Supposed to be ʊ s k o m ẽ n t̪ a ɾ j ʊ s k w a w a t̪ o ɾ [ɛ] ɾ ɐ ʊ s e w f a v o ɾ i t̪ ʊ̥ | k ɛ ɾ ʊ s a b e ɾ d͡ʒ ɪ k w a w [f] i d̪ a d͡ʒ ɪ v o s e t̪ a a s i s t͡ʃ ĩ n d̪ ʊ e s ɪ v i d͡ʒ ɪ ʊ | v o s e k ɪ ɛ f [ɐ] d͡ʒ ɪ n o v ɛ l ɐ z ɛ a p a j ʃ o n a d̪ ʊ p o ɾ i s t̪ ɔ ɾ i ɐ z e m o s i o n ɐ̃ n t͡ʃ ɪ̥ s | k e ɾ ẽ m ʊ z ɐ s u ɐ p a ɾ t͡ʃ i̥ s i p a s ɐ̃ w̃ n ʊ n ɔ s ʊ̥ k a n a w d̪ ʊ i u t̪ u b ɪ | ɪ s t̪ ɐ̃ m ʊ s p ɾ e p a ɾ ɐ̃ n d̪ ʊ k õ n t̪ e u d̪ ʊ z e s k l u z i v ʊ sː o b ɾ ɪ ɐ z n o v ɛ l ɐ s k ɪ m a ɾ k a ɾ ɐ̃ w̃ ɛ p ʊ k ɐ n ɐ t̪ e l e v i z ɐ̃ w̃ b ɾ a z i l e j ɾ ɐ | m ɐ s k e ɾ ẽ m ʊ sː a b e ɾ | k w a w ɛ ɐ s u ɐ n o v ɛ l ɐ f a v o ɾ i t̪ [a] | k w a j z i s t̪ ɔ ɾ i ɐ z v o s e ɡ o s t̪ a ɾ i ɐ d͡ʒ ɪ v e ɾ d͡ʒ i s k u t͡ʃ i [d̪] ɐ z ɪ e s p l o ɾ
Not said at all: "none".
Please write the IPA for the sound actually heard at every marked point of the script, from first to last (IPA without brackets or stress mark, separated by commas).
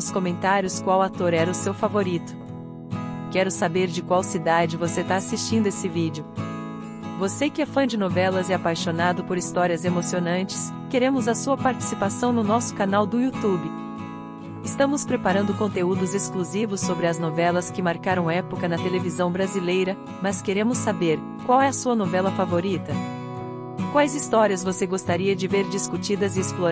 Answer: ɛ, s, ɐ̃, ɐ, d̪